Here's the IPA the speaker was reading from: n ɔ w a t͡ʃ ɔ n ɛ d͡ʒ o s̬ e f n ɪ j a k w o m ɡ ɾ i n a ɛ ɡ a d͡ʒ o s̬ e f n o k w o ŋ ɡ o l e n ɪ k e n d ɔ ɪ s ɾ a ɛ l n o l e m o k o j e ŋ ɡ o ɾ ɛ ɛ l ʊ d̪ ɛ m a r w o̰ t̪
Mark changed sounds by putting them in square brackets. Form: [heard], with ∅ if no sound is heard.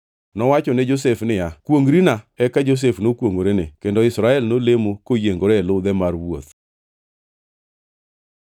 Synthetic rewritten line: n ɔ w a t͡ʃ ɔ n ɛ d͡ʒ o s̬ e f n ɪ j a k w o [ŋ] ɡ ɾ i n a ɛ [k] a d͡ʒ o s̬ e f n o k w o ŋ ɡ o [ɾ] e n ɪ k e n d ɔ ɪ s ɾ a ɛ l n o l e m o k o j e ŋ ɡ o ɾ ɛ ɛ l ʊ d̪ ɛ m a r w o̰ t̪